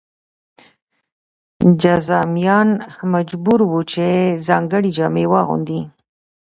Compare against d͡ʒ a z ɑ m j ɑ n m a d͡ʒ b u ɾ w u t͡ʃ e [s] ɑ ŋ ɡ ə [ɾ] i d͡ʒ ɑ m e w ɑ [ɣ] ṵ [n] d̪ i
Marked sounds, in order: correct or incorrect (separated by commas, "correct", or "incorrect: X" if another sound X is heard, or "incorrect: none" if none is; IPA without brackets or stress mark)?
incorrect: z, incorrect: ɽ, correct, correct